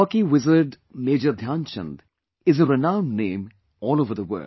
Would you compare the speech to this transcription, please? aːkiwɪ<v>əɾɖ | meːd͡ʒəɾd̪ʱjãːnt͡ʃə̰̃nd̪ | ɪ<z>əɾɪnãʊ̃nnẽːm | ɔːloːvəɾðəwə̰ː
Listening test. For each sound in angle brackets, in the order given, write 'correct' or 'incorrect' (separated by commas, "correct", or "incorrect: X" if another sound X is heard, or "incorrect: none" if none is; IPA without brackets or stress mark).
incorrect: z, correct